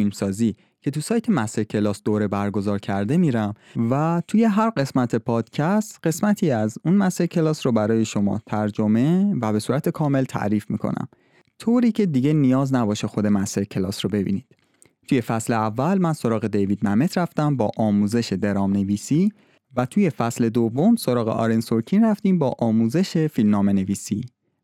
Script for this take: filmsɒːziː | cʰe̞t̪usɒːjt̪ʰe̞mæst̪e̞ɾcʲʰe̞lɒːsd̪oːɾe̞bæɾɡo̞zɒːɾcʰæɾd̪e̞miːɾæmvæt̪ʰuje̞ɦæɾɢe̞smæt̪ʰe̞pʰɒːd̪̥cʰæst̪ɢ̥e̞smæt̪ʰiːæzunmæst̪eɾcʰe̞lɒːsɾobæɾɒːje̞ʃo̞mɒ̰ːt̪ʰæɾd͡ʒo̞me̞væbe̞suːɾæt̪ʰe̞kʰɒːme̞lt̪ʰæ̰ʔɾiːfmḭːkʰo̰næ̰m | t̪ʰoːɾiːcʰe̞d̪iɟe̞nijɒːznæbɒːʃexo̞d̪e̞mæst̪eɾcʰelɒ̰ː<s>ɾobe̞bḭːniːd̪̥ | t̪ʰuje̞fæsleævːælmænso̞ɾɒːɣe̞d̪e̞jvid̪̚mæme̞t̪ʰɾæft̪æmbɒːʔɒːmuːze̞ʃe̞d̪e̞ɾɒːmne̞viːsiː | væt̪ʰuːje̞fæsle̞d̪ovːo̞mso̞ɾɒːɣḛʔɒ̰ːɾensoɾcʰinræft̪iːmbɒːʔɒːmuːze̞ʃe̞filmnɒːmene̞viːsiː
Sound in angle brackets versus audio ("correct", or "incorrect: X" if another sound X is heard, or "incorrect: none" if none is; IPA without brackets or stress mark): correct